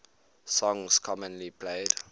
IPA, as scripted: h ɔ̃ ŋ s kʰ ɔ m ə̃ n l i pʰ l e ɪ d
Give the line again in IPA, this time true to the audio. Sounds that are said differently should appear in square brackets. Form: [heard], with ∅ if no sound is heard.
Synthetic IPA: [s] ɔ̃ ŋ s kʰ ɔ m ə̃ n l i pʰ l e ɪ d